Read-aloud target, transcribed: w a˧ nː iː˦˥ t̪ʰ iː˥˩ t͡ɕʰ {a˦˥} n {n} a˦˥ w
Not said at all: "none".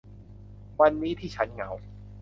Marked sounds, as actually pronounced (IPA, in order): a˦˥, ŋ

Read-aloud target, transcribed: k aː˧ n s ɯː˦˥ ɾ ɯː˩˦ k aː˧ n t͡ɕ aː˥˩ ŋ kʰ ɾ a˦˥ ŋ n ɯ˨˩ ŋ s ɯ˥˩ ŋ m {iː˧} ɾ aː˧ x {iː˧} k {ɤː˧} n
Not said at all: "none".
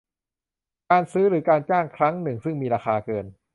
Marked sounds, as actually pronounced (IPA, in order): iː˧, aː˧, ɤː˧

